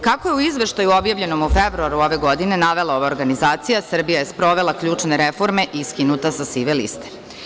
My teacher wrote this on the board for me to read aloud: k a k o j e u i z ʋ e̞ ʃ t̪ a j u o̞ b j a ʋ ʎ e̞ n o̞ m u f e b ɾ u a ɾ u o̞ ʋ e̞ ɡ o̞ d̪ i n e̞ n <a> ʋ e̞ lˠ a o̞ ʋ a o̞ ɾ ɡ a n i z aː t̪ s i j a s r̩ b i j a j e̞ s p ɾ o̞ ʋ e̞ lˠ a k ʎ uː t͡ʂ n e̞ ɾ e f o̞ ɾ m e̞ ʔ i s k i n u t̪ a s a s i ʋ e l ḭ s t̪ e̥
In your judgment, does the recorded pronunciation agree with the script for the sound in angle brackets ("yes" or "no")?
yes